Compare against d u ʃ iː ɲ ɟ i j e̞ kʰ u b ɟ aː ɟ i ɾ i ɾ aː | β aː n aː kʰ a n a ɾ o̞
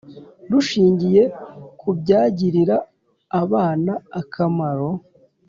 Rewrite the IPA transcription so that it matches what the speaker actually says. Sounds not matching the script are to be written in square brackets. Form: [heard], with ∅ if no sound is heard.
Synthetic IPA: d u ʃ iː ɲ ɟ i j e̞ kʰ u b ɟ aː ɟ i ɾ i ɾ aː | β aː n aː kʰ a [m] a ɾ o̞